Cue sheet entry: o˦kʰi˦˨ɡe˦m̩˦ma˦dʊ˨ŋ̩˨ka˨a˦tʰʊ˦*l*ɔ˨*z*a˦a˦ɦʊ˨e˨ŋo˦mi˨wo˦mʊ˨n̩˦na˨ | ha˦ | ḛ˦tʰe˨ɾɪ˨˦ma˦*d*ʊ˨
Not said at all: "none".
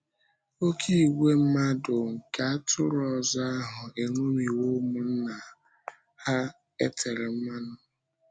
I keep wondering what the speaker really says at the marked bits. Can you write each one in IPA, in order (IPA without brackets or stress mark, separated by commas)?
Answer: ɾ, z, n